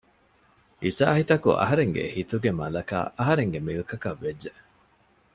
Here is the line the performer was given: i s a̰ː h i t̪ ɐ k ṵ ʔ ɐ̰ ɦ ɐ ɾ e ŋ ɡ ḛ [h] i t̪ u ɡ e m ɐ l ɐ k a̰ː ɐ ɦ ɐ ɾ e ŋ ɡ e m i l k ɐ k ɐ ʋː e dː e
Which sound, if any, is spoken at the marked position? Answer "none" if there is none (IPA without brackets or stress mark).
h